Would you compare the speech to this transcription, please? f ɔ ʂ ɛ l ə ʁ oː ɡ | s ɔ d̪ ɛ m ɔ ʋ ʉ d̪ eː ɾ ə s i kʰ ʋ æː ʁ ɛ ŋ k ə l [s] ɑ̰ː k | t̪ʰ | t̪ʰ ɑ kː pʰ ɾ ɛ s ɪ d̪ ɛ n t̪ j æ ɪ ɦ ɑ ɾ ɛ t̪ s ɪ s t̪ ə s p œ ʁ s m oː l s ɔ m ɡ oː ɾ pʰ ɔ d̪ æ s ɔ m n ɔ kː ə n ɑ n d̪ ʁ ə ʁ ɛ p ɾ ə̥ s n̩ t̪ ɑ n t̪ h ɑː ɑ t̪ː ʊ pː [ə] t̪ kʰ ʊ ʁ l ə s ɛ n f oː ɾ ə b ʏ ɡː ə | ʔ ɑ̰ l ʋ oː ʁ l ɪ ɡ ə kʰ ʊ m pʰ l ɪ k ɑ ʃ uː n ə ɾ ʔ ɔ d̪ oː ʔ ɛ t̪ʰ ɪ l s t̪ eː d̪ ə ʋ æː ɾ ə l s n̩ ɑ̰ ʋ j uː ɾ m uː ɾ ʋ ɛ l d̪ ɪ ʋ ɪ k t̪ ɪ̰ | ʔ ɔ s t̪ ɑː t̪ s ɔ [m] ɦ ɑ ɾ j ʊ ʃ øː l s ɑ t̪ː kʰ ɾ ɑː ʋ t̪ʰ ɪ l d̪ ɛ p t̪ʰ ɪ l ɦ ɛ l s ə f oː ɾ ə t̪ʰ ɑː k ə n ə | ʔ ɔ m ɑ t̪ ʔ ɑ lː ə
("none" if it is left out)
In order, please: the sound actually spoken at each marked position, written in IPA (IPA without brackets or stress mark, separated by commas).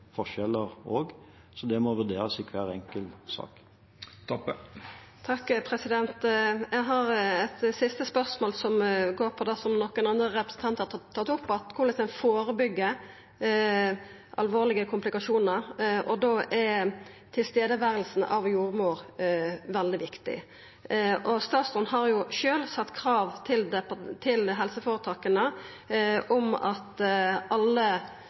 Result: s, ɑ, n